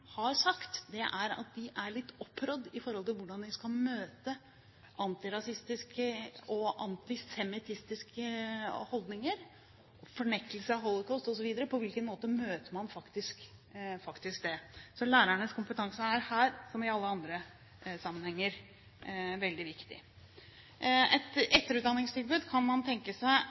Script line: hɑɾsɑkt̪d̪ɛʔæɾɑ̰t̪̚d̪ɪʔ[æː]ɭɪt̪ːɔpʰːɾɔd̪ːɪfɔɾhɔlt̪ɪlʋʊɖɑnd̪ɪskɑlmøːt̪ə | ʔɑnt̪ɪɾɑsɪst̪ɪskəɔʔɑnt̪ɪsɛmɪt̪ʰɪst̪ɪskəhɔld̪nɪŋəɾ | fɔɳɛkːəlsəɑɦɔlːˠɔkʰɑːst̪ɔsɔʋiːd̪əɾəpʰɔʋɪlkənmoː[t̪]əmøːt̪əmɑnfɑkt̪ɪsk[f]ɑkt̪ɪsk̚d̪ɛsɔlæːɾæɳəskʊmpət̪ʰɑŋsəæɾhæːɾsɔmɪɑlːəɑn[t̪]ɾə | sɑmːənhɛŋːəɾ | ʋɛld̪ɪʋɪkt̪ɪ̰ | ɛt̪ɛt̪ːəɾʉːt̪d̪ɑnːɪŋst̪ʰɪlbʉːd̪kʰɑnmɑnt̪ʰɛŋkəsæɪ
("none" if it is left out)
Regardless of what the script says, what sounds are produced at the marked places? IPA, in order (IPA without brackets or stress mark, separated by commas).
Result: æ, t̪, f, d̪